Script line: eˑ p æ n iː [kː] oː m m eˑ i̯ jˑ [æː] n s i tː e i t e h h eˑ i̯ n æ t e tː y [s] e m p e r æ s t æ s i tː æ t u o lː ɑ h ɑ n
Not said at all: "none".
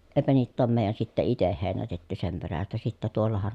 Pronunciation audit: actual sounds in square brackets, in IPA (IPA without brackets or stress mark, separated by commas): tː, æ, s